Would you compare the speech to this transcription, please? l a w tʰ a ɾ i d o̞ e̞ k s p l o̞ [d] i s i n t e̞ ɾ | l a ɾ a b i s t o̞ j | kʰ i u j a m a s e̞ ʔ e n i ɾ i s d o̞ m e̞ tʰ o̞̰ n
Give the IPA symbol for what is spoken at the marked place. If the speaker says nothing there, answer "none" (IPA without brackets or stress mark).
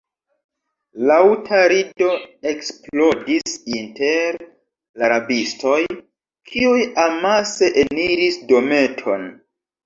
d